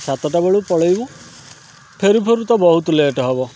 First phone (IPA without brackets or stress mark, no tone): s